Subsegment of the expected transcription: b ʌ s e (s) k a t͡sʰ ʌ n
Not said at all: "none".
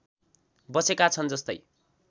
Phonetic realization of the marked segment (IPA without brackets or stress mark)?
none